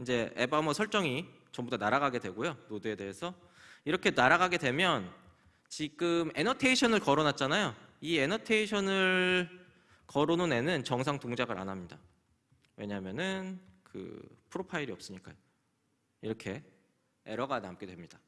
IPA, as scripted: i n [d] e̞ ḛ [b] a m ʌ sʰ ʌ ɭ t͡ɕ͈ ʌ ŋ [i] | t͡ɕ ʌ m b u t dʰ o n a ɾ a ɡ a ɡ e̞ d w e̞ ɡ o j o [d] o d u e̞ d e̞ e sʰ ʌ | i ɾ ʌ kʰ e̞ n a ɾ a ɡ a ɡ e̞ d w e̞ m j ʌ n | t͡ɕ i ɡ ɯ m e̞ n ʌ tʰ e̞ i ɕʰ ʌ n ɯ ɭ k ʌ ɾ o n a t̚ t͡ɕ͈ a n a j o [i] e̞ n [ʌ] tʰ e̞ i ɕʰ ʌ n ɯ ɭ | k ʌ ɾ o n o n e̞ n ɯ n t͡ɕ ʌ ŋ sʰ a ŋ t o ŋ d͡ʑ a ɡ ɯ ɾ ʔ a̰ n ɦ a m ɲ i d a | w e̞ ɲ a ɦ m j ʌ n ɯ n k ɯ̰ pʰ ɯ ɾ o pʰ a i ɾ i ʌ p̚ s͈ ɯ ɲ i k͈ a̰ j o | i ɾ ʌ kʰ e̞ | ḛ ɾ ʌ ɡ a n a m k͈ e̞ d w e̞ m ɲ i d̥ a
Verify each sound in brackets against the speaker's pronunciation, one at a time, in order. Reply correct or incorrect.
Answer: incorrect: d͡ʑ, correct, correct, incorrect: n, correct, correct

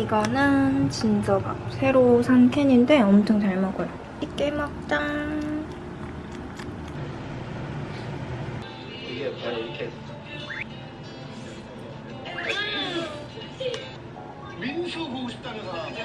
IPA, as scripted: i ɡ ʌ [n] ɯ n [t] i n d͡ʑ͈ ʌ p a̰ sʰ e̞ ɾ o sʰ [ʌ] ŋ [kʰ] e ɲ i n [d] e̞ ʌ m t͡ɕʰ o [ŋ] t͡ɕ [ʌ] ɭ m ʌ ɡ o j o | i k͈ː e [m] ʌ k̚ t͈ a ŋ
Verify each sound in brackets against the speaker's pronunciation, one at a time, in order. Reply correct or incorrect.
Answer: correct, incorrect: t͡ɕ, incorrect: a, correct, correct, correct, incorrect: a, correct

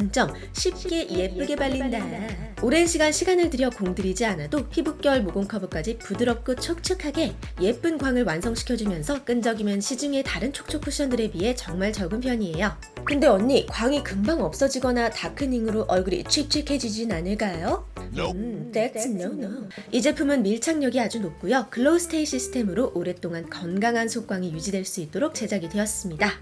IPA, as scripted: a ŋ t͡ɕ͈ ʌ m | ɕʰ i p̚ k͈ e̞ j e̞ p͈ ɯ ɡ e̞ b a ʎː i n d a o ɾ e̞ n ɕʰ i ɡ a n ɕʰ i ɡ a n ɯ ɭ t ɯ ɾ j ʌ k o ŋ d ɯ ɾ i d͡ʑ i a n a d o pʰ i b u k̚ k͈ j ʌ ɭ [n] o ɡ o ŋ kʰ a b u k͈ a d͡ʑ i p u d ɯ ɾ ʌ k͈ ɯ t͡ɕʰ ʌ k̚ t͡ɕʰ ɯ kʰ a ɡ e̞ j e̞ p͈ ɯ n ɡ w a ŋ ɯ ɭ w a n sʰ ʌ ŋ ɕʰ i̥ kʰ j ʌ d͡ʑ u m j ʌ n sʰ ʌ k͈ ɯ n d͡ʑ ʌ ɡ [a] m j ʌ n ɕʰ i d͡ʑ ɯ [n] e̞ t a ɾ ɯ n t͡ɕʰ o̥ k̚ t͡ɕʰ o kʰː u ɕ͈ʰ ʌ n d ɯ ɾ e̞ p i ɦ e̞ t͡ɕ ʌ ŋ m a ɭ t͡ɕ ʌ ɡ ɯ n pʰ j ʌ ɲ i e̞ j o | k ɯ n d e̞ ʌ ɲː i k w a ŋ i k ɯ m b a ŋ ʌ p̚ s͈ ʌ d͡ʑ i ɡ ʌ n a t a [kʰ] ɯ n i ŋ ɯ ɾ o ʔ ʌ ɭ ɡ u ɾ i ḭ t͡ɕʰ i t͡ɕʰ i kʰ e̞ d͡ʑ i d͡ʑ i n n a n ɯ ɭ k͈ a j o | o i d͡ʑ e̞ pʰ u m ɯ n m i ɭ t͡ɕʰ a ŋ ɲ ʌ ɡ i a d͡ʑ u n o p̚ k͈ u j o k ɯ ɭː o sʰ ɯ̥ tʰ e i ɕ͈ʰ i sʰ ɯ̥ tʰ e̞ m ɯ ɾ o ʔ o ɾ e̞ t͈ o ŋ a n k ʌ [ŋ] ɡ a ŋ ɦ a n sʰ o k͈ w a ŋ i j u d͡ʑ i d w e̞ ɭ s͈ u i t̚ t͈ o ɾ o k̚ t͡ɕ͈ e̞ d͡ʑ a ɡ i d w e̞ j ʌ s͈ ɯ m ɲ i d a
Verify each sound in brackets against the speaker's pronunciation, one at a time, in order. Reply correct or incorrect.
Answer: incorrect: m, incorrect: i, incorrect: ŋ, correct, incorrect: n

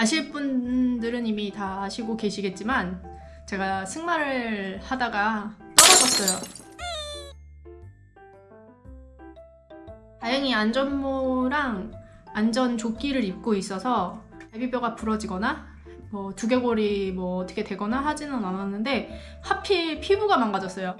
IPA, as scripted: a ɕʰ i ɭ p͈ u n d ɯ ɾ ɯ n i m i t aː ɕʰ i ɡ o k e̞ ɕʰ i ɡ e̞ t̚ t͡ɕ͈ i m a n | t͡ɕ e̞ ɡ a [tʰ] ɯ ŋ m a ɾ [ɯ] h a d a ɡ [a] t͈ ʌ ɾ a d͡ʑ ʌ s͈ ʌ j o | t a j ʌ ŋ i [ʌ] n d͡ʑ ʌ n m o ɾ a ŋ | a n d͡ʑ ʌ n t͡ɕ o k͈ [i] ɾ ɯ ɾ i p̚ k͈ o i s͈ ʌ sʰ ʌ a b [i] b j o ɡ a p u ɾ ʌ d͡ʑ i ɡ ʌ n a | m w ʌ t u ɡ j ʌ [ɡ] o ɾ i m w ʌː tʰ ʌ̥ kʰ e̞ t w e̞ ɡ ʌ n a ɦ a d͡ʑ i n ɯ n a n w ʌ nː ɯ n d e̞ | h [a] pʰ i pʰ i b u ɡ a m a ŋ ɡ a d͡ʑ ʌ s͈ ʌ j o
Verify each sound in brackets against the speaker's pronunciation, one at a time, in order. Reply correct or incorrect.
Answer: incorrect: sʰ, correct, correct, incorrect: a, correct, correct, correct, correct

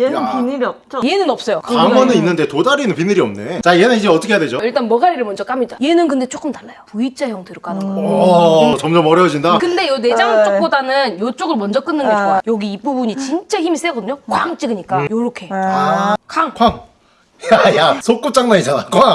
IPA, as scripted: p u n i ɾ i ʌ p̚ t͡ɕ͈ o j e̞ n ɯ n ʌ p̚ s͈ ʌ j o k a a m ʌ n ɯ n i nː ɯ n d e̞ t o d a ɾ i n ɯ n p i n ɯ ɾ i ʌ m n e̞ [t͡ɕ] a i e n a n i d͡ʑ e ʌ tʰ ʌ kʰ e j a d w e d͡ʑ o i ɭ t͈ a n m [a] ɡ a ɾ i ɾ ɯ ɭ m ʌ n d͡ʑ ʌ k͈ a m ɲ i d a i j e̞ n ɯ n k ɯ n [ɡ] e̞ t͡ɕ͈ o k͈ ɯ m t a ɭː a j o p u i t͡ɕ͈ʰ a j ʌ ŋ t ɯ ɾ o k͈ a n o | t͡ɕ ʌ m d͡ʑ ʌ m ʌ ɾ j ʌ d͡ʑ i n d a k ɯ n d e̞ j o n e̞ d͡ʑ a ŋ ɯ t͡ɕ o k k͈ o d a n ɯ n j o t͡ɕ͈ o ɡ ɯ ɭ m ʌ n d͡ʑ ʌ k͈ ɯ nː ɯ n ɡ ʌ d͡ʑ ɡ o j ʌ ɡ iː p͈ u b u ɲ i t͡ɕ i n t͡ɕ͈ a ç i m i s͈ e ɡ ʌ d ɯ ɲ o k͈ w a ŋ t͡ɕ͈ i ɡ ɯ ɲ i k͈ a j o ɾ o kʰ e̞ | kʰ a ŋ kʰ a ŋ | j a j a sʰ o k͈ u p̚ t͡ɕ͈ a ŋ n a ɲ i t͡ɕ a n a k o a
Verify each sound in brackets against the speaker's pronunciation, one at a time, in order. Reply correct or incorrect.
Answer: correct, incorrect: ʌ, incorrect: d

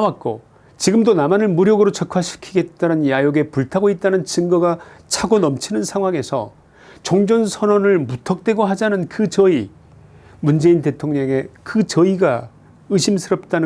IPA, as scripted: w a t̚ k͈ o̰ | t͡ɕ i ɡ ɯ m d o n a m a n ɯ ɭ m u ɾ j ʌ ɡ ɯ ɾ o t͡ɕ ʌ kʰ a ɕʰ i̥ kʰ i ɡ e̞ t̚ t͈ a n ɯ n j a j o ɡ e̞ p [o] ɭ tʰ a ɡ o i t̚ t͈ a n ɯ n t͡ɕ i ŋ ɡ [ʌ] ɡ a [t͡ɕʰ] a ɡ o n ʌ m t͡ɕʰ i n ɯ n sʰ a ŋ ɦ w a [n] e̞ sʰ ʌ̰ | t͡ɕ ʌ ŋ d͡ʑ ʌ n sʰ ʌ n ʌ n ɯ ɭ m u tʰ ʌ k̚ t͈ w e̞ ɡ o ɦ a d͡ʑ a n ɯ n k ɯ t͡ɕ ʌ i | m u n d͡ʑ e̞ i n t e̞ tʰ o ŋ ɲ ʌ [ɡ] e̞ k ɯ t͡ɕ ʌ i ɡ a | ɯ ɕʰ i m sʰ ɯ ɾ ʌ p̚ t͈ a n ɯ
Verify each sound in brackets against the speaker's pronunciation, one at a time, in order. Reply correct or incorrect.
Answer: incorrect: u, correct, correct, incorrect: ŋ, incorrect: ŋ

